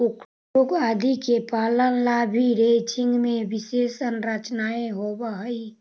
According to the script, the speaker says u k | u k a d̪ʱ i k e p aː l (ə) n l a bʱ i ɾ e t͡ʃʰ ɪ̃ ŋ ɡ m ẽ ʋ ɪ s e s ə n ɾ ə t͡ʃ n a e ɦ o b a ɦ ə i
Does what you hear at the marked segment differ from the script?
no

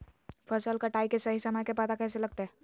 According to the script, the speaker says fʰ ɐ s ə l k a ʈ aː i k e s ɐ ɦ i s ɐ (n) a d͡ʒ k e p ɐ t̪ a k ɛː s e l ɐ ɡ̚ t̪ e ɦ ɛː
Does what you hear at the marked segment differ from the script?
yes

